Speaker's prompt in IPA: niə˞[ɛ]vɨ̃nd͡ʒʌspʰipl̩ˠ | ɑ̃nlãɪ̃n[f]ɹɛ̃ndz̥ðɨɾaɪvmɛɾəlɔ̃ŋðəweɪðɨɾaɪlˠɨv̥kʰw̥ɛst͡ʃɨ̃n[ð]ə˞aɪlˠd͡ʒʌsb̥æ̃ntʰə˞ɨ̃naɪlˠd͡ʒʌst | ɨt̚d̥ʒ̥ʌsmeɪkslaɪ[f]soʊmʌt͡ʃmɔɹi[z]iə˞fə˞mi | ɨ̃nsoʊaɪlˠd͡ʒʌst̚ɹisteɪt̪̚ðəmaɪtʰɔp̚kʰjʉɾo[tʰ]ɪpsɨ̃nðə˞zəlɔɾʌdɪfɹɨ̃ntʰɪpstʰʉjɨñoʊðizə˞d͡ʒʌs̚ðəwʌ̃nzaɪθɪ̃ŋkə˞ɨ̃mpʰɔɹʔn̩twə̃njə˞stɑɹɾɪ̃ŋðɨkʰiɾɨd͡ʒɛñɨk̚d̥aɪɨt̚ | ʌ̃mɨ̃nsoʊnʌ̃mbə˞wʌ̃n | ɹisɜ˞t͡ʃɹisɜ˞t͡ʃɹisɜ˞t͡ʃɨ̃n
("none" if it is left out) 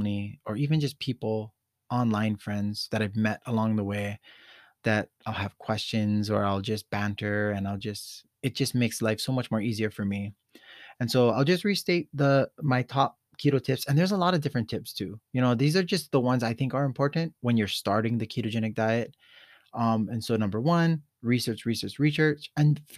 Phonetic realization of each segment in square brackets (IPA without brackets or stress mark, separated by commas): i, f, z, f, z, tʰ